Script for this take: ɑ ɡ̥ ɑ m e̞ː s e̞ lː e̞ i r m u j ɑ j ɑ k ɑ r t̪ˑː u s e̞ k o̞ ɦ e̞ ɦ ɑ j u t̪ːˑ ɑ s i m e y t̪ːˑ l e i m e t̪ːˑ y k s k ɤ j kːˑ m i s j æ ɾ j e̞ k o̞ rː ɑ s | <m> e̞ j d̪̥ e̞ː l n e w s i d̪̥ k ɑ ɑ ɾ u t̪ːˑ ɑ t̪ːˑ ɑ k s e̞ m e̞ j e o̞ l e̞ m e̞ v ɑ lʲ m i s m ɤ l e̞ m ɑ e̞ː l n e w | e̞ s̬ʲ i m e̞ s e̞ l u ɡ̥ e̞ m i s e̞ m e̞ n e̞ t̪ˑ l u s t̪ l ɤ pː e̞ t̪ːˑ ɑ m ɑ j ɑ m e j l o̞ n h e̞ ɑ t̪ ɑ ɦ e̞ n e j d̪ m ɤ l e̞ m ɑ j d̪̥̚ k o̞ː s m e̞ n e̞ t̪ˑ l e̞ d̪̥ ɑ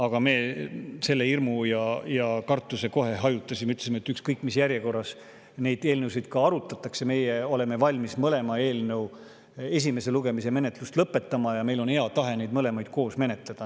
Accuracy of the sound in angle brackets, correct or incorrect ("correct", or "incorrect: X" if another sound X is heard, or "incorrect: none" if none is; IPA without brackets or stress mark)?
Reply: incorrect: n